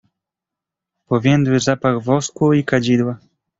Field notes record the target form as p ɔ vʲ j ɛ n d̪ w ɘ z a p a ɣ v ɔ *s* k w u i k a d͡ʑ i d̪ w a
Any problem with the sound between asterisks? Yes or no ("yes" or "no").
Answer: no